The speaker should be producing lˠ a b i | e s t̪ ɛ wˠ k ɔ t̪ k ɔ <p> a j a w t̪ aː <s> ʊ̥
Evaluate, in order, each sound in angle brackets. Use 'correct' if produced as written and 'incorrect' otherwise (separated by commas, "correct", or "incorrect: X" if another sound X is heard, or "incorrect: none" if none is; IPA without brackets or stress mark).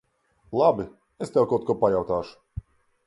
correct, incorrect: ʃ